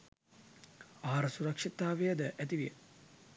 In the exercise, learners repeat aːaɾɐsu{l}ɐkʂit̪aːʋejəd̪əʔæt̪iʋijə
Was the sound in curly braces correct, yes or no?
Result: no